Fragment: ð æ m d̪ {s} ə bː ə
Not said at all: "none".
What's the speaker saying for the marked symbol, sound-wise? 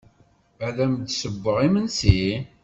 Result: s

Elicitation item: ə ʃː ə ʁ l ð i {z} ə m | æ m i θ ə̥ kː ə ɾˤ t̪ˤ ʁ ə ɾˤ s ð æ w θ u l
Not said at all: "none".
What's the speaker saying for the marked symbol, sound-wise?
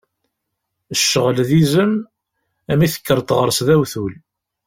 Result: z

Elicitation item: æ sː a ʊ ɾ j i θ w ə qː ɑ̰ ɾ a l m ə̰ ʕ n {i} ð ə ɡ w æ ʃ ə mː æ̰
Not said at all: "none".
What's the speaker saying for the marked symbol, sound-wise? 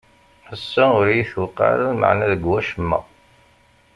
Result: æ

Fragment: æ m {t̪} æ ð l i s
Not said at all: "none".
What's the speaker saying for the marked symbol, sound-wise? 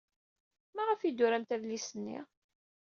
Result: t̪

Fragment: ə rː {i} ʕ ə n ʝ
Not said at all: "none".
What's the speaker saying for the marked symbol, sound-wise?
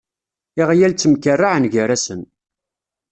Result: a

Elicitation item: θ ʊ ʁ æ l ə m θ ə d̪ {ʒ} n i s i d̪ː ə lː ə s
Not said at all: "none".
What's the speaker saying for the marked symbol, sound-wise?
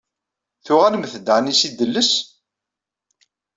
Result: ʕ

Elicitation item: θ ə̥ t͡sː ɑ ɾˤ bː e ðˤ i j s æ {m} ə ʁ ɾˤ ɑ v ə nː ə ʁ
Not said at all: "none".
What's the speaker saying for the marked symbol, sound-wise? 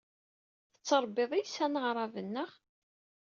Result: n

